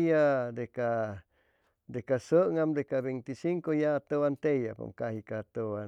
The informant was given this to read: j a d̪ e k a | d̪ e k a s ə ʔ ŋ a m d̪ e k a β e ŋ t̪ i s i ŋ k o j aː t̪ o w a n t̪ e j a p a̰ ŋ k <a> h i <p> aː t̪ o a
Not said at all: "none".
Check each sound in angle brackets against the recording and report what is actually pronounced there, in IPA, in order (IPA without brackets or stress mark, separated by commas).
a, k